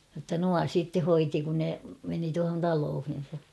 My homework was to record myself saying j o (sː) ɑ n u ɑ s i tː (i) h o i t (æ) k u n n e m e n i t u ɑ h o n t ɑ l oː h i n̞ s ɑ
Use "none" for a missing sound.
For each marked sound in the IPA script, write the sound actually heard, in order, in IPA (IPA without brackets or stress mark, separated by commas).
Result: tː, e, i